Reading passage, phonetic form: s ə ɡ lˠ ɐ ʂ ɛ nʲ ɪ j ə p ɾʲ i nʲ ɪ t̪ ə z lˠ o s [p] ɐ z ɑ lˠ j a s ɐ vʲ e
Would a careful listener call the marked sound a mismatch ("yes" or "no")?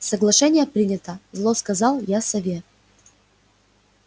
yes